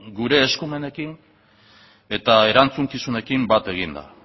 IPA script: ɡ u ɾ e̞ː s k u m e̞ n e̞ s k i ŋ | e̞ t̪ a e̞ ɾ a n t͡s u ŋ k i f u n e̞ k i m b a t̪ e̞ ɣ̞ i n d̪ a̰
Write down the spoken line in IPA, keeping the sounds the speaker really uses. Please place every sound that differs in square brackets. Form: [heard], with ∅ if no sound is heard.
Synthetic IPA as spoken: ɡ u ɾ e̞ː s k u m e̞ n e̞ [∅] k i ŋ | e̞ t̪ a e̞ ɾ a n t͡s u ŋ k i [s] u n e̞ k i m b a t̪ e̞ ɣ̞ i n d̪ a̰